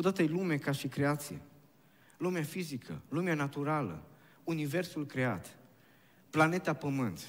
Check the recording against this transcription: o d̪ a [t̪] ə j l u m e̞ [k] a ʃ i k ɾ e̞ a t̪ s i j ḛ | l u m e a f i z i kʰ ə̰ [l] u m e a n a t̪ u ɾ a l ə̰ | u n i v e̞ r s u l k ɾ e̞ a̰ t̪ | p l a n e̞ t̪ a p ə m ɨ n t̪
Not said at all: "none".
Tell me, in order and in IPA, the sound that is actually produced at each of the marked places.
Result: t̪, k, l

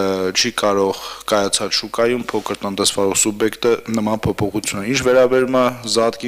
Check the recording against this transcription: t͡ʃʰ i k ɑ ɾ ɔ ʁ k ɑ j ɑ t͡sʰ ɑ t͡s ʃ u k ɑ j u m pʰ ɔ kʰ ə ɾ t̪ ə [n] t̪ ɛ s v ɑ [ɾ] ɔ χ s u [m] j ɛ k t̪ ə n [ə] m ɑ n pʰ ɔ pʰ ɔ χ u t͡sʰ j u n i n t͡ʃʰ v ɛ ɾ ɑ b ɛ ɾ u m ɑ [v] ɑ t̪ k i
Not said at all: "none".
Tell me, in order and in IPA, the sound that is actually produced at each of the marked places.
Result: n, ɾ, b, ə, z

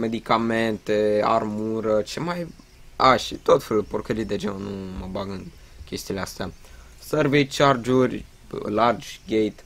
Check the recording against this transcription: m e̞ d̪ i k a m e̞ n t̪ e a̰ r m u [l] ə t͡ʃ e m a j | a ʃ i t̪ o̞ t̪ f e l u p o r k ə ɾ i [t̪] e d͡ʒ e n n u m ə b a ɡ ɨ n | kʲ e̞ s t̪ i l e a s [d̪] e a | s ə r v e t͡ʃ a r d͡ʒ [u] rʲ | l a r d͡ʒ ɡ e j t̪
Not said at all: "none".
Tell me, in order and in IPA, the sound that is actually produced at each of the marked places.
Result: ɾ, d̪, t̪, u

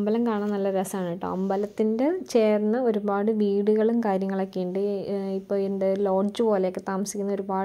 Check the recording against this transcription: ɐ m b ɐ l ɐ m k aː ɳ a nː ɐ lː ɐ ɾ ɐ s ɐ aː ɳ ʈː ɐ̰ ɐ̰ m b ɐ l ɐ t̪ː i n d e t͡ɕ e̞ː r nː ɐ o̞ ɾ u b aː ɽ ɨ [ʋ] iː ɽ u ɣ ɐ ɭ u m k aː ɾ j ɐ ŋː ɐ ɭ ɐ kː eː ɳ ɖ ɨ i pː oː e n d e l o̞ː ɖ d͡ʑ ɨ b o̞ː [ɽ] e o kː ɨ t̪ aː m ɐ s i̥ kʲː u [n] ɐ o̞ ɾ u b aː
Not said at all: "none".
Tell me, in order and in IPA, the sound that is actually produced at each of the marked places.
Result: ʋ, l, nː

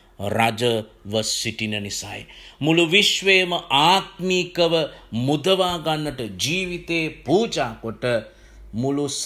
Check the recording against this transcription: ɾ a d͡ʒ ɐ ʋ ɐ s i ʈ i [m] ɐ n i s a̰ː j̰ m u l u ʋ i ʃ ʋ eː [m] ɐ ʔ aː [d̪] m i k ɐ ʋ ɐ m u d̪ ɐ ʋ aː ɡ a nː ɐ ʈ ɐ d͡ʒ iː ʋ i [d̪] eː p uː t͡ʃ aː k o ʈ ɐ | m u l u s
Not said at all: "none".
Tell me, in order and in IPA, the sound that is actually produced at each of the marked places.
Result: n, m, t̪, t̪

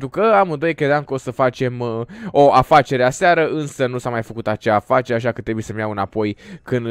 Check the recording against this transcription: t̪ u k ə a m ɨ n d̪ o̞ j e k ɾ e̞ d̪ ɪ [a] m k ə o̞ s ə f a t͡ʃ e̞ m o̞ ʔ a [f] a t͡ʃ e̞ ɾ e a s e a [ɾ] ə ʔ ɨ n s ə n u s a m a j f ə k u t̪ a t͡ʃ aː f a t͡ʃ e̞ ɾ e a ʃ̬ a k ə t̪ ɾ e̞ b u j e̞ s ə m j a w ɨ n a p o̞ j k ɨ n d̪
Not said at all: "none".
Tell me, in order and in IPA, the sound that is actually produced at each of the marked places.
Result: a, f, ɾ

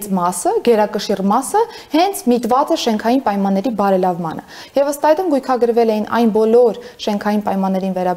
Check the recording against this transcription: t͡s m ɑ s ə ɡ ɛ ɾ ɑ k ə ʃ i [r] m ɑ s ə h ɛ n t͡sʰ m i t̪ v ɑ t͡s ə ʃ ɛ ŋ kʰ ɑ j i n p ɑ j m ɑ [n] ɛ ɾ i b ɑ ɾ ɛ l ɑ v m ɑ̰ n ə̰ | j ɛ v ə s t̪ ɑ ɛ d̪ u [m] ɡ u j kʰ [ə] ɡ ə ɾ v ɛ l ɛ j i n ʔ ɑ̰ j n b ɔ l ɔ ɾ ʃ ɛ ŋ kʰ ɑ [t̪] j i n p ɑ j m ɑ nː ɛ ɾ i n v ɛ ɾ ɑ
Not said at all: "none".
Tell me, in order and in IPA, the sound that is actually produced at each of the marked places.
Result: r, nː, m, ɑ, none

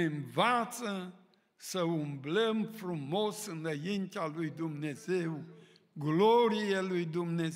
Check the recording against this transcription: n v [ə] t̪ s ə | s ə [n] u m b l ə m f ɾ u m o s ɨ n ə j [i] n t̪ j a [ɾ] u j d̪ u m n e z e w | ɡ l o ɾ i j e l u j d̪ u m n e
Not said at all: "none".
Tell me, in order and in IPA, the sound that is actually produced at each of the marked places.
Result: a, none, i, l

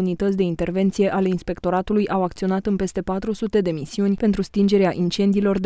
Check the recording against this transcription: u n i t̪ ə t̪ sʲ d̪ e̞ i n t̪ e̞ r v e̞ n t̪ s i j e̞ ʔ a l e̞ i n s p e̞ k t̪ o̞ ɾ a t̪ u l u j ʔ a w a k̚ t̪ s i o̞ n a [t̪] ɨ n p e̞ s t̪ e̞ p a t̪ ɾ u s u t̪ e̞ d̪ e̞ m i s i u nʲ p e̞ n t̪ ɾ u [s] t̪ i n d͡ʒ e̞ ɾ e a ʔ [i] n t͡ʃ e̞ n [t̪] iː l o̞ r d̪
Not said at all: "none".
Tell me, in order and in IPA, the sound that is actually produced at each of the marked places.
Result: t̪, s, i, d̪

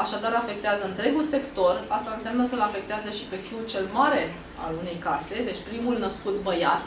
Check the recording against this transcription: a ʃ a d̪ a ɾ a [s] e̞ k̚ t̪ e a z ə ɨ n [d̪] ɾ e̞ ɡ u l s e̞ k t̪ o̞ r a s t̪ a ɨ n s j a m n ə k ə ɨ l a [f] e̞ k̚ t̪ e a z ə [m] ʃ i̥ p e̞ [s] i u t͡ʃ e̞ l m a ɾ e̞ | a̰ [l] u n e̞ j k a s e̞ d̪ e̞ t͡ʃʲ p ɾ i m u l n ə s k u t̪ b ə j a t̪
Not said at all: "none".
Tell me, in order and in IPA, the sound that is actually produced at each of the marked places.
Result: f, t̪, f, none, f, l

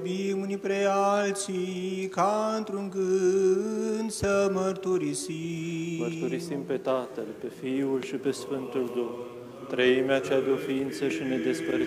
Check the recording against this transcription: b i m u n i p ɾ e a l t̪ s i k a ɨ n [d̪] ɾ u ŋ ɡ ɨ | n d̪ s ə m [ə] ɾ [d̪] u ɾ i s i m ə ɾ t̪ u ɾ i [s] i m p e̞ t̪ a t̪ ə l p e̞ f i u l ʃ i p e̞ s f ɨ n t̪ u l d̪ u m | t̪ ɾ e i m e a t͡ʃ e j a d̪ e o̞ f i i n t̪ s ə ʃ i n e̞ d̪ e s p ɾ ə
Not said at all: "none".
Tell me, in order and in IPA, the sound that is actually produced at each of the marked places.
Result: t̪, ə, t̪, s

